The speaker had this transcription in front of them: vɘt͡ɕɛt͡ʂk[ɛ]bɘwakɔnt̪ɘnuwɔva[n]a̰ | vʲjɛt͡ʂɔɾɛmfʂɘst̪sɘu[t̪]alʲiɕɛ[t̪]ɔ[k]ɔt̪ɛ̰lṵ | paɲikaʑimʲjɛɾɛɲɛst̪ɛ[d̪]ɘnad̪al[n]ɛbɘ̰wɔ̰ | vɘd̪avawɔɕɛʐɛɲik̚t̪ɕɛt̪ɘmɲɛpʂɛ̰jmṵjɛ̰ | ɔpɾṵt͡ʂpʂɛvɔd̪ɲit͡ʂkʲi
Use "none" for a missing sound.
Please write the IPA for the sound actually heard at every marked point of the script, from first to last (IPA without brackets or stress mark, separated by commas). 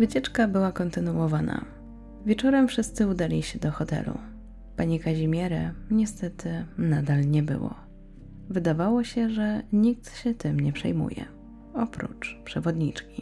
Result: a, n, d̪, d̪, x, t̪, ɲ